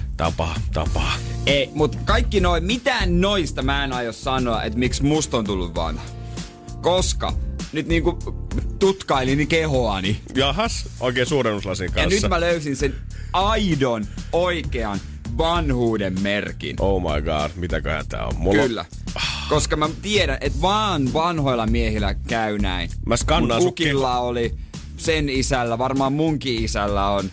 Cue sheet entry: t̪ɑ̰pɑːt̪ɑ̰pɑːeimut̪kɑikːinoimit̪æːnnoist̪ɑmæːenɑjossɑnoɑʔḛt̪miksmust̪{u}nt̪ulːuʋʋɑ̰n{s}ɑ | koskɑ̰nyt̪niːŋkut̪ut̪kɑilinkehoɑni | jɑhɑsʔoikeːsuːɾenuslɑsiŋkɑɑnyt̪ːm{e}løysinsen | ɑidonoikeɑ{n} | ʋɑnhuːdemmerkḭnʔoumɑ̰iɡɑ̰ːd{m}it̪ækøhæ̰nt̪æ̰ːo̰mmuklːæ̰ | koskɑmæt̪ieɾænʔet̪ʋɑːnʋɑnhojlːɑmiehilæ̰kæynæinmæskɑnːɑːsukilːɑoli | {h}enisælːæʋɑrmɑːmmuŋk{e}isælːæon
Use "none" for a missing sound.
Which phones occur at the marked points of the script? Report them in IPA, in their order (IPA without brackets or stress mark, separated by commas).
o, h, æ, n, m, s, i